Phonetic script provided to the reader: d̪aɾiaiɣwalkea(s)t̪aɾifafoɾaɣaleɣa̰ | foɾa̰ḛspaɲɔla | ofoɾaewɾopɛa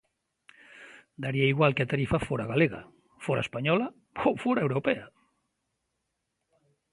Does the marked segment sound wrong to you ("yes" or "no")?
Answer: yes